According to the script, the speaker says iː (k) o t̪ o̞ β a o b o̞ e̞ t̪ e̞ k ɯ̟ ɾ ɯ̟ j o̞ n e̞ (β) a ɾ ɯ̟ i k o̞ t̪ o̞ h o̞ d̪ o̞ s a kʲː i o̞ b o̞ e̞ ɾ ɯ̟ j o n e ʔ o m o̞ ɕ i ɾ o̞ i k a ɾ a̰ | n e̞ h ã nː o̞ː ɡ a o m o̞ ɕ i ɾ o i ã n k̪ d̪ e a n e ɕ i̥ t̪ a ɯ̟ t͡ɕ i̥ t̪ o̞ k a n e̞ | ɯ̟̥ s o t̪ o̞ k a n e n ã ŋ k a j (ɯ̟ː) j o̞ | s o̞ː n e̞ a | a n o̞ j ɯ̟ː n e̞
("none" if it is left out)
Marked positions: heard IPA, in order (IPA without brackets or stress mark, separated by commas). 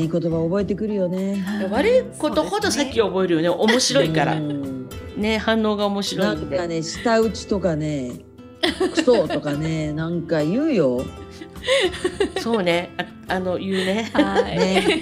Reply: k, β, ɯ̟ː